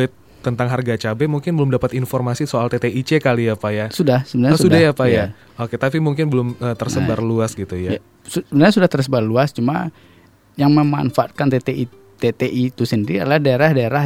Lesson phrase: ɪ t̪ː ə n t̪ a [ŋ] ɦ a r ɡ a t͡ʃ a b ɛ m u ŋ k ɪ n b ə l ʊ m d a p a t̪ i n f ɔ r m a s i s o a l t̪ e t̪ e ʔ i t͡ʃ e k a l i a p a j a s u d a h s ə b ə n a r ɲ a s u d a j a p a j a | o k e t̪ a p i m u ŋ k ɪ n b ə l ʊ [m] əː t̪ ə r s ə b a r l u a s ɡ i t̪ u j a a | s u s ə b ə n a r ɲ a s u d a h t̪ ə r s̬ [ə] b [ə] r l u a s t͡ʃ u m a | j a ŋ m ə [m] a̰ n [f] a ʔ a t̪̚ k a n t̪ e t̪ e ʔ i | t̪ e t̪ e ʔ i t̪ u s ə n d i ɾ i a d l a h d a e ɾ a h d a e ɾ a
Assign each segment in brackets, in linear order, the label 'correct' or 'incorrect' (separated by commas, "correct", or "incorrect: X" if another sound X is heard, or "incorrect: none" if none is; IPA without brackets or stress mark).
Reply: correct, correct, correct, incorrect: a, correct, correct